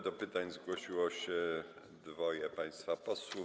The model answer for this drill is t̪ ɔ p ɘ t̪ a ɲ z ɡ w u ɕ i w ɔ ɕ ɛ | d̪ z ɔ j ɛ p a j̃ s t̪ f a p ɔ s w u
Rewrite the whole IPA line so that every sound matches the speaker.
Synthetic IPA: d̪ ɔ p ɘ t̪ a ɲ z ɡ w ɔ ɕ i w ɔ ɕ ɛ | d̪ v ɔ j ɛ p a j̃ s t̪ f a p ɔ s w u

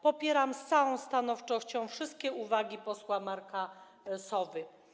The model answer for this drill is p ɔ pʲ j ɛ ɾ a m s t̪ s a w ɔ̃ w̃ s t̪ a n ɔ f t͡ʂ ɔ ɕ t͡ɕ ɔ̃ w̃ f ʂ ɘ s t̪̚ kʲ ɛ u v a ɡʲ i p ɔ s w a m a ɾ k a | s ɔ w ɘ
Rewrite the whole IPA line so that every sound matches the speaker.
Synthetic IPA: p ɔ pʲ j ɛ ɾ a m s t̪ s a w ɔ̃ w̃ s t̪ a n ɔ f t͡ʂ ɔ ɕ t͡ɕ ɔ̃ w̃ f ʂ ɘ s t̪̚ kʲ ɛ u v a ɡʲ i p ɔ s w a m a ɾ k a | s ɔ v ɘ

